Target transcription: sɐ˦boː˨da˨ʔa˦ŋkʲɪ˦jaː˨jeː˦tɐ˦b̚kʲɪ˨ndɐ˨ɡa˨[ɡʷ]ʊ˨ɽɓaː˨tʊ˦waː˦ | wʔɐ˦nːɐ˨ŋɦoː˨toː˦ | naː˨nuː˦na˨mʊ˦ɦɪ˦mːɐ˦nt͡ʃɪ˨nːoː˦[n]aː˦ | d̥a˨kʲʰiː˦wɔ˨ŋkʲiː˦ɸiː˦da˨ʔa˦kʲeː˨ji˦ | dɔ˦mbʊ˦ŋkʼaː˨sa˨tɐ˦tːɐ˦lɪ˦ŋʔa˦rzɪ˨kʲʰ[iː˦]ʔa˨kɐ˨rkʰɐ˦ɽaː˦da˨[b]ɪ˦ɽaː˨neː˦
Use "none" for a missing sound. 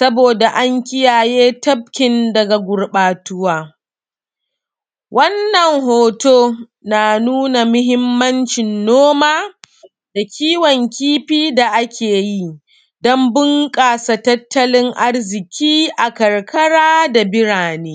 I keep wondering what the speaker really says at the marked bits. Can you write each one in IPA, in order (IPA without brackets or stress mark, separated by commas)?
ɡʷ, m, iː˦, b